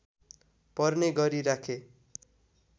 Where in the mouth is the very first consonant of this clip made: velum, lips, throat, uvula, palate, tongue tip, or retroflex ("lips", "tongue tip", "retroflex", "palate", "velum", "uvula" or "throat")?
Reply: lips